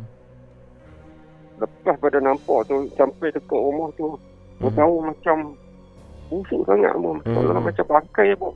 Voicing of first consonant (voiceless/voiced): voiced